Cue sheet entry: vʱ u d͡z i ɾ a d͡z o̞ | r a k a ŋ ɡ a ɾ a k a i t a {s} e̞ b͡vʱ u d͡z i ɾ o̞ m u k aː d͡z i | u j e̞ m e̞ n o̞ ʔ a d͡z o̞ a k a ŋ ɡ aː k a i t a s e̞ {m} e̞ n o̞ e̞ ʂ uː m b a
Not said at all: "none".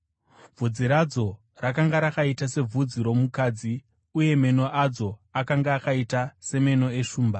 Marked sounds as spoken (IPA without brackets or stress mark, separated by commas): s, m